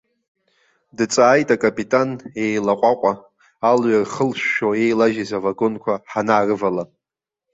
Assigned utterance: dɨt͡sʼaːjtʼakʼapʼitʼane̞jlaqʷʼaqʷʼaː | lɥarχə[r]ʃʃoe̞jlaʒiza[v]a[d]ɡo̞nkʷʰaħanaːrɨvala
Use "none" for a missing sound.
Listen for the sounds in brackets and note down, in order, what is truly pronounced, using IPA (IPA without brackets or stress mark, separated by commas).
l, v, none